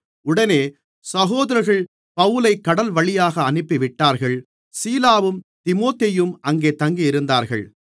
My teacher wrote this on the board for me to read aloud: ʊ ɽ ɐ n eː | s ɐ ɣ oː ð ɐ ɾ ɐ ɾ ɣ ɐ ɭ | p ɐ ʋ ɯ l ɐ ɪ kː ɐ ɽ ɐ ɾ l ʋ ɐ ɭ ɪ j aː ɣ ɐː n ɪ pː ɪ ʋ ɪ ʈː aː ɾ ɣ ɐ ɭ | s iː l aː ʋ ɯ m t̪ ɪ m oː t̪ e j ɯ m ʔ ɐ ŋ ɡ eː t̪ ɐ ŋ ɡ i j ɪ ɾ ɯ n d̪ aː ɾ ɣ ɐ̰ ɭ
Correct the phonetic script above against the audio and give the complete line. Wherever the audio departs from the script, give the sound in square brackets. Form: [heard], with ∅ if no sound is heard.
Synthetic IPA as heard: ʊ ɽ ɐ n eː | s ɐ ɣ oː ð ɐ ɾ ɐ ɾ ɣ ɐ ɭ | p ɐ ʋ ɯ l ɐ ɪ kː ɐ ɽ ɐ [∅] l ʋ ɐ ɭ ɪ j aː ɣ ɐː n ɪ pː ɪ ʋ ɪ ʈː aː ɾ ɣ ɐ ɭ | s iː l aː ʋ ɯ m t̪ ɪ m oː t̪ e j ɯ m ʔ ɐ ŋ ɡ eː t̪ ɐ ŋ ɡ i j ɪ ɾ ɯ n d̪ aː ɾ ɣ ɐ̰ ɭ